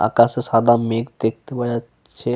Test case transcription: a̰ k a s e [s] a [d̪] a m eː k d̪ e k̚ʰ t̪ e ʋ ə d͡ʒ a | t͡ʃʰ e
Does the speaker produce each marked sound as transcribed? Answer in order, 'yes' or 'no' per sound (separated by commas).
yes, yes